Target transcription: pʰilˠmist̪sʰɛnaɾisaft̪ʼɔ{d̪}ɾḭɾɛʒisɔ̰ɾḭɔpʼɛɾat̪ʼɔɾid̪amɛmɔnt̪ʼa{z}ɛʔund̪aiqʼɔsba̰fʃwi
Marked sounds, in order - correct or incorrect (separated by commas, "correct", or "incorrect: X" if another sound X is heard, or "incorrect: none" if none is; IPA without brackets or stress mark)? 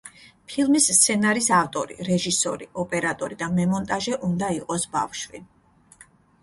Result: incorrect: none, incorrect: ʒ